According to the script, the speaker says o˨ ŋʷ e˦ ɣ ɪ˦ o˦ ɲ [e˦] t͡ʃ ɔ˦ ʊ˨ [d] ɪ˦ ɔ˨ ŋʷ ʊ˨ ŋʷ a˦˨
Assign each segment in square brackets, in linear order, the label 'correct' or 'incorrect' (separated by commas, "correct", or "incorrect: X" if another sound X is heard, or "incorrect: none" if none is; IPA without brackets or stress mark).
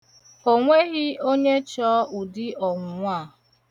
correct, correct